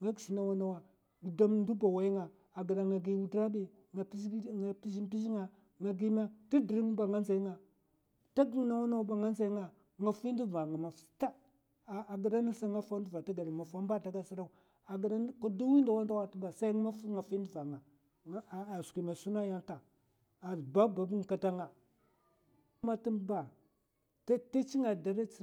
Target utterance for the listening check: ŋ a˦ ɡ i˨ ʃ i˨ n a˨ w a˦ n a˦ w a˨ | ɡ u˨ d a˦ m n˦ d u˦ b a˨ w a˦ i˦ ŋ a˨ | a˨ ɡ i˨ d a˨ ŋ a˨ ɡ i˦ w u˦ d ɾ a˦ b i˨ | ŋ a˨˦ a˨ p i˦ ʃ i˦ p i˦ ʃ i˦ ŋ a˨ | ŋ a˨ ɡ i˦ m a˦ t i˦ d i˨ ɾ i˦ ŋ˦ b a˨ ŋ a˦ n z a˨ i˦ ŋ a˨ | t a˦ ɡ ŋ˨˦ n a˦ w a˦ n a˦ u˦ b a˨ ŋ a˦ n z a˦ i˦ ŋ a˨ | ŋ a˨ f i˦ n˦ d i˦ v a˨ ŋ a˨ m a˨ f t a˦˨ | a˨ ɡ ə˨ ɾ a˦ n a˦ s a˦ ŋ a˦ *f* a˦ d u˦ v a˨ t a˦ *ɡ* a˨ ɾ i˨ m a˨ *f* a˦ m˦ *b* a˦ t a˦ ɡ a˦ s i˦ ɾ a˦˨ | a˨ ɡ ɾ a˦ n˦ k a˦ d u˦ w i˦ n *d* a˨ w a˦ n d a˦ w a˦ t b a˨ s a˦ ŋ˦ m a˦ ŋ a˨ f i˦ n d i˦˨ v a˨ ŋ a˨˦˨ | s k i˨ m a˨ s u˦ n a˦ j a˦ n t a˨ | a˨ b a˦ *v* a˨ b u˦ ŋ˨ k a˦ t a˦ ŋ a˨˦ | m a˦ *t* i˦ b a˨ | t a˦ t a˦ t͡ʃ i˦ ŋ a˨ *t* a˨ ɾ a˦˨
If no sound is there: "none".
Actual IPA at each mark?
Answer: f, ɡ, f, b, d, b, t, d

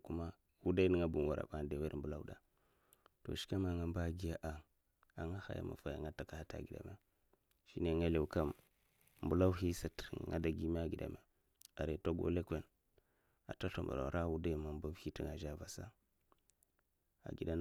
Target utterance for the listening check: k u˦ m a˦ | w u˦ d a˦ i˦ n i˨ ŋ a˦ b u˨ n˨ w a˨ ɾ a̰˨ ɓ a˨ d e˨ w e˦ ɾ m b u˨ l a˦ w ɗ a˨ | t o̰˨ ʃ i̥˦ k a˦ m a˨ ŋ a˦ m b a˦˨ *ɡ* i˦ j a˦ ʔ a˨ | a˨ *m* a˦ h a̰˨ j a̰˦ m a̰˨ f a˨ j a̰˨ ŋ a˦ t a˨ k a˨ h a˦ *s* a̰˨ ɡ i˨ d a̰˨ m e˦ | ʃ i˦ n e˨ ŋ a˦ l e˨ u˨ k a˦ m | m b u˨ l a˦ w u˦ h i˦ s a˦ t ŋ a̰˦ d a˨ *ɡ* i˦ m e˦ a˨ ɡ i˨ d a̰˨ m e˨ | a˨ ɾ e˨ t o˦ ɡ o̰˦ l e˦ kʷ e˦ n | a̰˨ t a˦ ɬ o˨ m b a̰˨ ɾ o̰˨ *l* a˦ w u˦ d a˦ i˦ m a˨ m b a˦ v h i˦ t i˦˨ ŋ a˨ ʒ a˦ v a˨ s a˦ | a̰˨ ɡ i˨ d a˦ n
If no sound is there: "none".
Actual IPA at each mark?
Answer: ɡ, ŋ, t, ɡ, ɾ

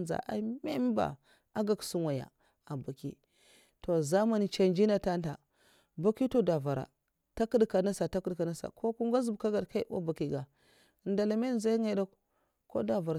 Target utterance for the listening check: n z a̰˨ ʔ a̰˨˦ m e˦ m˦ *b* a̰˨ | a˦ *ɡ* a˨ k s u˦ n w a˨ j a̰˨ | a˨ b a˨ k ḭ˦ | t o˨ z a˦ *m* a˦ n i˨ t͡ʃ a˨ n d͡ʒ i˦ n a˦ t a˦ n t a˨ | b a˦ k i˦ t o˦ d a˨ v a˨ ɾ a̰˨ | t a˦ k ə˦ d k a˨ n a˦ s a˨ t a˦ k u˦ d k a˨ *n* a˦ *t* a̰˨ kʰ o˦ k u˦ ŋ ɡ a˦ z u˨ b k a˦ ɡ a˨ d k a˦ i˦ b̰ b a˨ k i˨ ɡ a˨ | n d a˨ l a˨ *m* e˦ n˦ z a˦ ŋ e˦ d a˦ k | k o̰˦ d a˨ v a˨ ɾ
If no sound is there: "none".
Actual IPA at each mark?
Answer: b, ɡ, m, n, s, m

